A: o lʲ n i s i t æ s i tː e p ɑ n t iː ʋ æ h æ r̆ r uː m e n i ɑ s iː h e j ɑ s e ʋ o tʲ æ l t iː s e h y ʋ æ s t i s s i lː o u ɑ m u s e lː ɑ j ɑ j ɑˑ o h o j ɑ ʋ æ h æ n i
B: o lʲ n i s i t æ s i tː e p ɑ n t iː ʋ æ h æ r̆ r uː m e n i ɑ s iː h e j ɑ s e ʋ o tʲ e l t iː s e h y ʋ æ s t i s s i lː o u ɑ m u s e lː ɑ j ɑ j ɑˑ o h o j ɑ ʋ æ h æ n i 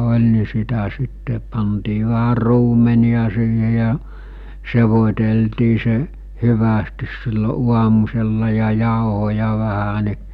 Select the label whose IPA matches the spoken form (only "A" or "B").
B